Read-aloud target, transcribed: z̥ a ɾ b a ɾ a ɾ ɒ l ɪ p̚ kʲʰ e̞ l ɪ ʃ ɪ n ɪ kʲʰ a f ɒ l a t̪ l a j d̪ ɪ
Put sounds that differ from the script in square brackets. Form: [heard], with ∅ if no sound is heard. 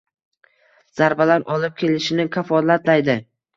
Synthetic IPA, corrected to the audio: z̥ a ɾ b a [l] a ɾ ɒ l ɪ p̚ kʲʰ e̞ l ɪ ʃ ɪ n ɪ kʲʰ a f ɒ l a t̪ l a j d̪ ɪ